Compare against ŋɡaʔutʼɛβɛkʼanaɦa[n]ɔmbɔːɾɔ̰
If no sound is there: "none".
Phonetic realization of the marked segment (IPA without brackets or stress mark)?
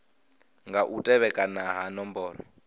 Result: n